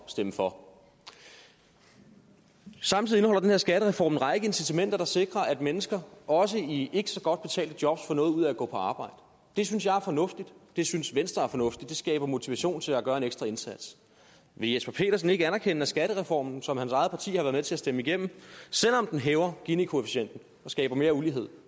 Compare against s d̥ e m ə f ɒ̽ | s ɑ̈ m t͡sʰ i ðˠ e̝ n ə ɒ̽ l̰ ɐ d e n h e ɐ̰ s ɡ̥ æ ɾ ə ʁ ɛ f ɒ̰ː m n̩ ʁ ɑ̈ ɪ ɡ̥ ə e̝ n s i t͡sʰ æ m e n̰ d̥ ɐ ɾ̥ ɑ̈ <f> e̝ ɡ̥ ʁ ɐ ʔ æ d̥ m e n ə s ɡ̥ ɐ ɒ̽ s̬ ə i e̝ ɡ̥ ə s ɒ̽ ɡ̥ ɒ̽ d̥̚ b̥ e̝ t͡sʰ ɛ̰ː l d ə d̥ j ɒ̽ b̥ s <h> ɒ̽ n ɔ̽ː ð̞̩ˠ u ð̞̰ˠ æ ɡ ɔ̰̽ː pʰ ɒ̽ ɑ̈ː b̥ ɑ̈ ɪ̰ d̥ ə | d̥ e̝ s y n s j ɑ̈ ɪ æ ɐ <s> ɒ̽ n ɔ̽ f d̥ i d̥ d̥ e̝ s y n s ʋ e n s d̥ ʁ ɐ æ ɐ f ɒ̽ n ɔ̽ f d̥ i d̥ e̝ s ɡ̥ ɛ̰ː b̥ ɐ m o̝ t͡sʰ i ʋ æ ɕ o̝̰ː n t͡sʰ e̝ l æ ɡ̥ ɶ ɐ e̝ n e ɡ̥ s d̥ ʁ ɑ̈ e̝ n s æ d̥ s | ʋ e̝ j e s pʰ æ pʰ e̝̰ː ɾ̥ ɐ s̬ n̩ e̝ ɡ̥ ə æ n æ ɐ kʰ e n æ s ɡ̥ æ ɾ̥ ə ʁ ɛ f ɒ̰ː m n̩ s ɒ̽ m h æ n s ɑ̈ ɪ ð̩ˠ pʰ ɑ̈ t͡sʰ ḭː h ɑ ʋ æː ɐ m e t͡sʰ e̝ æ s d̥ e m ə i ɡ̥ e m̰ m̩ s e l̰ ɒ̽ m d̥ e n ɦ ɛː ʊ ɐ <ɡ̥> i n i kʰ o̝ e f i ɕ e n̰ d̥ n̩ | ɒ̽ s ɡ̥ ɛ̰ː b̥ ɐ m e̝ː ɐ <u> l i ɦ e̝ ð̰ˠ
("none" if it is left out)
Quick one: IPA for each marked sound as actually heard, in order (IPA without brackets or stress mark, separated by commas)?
s, f, f, ɡ̥, u